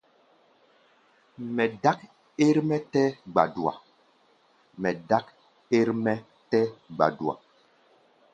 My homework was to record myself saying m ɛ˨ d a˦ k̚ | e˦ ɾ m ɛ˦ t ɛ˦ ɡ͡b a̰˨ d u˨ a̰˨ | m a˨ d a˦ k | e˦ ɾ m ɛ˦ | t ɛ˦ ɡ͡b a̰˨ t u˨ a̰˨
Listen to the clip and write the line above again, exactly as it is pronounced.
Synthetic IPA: m ɛ˨ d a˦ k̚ | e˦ ɾ m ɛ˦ t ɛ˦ ɡ͡b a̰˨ d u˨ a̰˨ | m ɛ˨ d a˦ k | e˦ ɾ m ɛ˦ | t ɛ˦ ɡ͡b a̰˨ d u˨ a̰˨